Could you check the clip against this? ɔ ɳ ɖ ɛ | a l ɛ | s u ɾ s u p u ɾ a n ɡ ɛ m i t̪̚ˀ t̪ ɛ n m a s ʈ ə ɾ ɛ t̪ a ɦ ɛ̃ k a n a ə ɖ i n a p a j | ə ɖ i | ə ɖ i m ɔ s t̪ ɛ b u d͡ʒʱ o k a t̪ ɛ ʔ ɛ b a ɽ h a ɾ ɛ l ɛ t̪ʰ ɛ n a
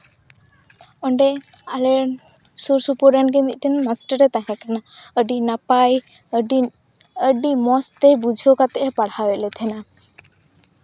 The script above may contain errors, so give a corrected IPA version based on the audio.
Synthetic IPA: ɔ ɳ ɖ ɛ | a l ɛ | s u ɾ s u p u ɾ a n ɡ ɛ m i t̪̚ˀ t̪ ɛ n m a s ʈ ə ɾ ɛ t̪ a ɦ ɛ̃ k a n a ə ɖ i n a p a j | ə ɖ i | ə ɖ i m ɔ s t̪ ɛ b u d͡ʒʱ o k a t̪ ɛ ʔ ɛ p a ɽ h a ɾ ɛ l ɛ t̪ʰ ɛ n a